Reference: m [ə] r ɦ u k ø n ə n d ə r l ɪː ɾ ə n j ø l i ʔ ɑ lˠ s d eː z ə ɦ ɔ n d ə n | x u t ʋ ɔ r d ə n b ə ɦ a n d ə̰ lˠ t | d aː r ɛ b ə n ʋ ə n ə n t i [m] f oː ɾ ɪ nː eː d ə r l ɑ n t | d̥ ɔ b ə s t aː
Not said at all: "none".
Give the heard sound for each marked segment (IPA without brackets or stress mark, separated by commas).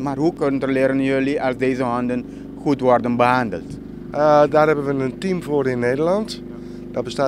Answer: a, m